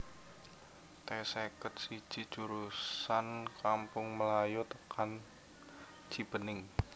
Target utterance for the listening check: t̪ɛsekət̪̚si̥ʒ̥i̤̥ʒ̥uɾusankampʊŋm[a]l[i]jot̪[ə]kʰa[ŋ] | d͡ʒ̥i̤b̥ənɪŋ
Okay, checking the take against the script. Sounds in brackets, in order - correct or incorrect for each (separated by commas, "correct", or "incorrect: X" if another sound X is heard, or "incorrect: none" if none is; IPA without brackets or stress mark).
incorrect: ə, incorrect: a, correct, incorrect: n